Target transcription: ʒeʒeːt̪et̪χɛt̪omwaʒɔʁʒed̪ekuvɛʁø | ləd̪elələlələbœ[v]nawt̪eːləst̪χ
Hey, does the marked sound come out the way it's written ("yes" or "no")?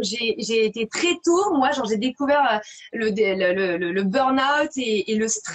no